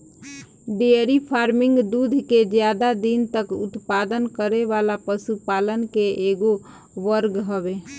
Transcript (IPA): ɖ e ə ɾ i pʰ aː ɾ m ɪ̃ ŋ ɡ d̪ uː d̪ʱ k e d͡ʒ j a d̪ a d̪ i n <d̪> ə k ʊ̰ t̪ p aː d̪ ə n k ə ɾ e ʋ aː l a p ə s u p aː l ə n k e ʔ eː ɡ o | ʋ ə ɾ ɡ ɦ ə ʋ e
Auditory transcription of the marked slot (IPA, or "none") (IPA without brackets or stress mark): t̪